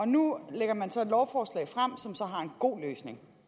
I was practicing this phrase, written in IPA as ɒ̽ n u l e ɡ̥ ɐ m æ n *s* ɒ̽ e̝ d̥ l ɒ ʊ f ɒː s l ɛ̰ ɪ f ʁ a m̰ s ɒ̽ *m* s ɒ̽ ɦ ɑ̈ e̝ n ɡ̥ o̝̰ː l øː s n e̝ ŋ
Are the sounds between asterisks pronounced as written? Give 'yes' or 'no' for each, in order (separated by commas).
yes, yes